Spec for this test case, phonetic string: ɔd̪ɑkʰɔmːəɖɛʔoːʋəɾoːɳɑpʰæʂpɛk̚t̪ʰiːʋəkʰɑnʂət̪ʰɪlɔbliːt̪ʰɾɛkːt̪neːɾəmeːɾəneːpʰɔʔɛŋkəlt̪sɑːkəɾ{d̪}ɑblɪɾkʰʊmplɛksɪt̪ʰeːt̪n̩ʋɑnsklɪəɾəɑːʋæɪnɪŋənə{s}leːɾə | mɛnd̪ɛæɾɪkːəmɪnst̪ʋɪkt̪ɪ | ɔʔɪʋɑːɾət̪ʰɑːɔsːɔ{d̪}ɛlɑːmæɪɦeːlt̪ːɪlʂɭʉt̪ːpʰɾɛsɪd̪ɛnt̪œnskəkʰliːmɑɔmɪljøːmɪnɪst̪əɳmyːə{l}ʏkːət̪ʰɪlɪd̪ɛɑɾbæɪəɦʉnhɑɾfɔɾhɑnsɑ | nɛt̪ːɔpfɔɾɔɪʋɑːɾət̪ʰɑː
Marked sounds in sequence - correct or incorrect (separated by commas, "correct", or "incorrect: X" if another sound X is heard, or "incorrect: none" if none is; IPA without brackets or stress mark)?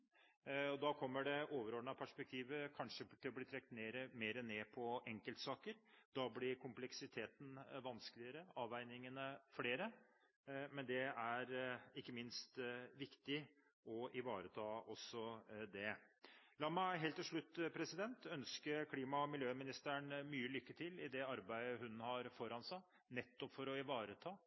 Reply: correct, incorrect: f, correct, correct